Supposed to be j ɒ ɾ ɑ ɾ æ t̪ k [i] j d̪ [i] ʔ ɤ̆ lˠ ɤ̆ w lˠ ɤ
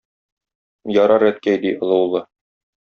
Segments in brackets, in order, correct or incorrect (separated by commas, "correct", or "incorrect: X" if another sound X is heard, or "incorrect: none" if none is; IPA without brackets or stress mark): incorrect: æ, correct